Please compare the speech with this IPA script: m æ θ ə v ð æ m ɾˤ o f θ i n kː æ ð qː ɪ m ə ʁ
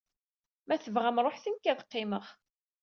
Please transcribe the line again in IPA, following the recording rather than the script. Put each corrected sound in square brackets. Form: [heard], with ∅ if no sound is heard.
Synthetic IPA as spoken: m æ θ ə v [ʁ] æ m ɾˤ o [ħ] θ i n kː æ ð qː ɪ m ə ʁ